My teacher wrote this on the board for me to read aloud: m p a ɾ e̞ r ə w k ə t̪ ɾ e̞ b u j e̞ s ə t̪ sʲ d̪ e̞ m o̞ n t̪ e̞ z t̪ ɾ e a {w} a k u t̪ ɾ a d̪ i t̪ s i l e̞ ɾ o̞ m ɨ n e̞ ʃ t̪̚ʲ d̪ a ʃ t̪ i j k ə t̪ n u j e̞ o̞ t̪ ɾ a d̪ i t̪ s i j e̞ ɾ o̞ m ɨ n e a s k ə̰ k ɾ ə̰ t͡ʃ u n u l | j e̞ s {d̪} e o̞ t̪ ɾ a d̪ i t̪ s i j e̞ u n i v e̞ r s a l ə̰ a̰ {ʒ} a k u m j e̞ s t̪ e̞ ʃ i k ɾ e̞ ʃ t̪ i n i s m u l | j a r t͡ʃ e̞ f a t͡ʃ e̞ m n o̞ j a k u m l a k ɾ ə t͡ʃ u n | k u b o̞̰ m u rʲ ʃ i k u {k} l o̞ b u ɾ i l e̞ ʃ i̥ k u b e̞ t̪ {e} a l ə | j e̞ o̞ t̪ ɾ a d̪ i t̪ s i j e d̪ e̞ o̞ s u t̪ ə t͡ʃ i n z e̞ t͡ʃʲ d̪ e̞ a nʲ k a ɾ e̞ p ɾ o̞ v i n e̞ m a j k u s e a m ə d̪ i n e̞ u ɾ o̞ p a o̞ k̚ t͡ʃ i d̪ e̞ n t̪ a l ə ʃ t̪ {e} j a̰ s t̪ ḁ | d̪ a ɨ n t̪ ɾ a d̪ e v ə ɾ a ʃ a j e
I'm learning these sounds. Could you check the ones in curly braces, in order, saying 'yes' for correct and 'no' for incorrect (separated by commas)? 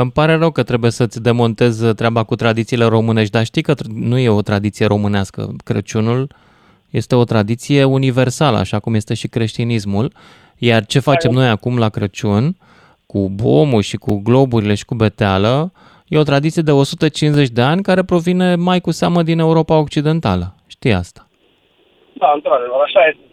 no, no, no, no, yes, no